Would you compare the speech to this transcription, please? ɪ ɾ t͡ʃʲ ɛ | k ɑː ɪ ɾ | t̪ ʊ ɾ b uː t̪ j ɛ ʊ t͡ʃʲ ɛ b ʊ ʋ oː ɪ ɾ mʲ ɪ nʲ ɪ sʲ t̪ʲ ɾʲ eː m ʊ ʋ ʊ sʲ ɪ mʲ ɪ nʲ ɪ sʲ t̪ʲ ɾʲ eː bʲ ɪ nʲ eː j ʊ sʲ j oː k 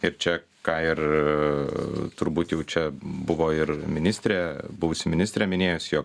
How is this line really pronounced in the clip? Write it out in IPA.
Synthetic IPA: ɪ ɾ t͡ʃʲ ɛ | k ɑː ɪ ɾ | t̪ ʊ ɾ b uː t̪ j ɛ ʊ t͡ʃʲ ɛ b ʊ ʋ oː ɪ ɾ mʲ ɪ nʲ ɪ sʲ t̪ʲ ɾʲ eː b ʊ ʋ ʊ sʲ ɪ mʲ ɪ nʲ ɪ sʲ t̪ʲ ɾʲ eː mʲ ɪ nʲ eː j ʊ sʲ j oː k